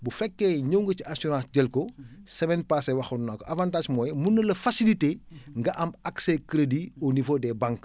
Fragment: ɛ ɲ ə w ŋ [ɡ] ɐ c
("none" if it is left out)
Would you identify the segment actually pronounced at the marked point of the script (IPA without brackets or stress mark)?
ɡ